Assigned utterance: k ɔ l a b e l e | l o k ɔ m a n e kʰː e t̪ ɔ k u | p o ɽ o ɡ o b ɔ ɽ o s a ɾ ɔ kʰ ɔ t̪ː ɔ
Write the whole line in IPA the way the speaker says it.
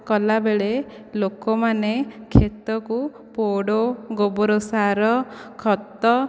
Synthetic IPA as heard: k ɔ l a b e ɭ e | l o k ɔ m a n e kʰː e t̪ ɔ k u | p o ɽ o ɡ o b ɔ ɾ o s a ɾ ɔ kʰ ɔ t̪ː ɔ